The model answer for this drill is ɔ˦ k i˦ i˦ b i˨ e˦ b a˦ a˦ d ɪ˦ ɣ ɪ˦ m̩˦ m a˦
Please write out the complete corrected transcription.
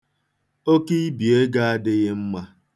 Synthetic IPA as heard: o˦ k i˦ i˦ b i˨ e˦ ɡ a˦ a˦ d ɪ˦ ɣ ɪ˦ m̩˦ m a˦